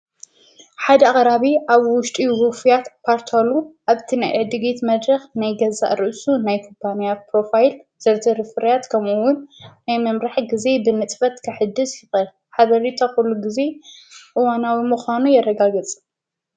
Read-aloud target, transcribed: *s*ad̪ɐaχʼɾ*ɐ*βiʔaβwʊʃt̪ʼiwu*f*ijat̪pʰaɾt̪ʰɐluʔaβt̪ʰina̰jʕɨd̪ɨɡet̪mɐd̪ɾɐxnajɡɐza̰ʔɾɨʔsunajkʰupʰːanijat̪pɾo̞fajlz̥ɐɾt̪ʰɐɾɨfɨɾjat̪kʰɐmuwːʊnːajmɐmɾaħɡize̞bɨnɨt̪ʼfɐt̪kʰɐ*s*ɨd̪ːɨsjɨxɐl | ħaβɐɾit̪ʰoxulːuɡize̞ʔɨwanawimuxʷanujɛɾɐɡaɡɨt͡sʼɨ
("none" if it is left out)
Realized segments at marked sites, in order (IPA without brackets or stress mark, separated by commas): ħ, a, f, ħ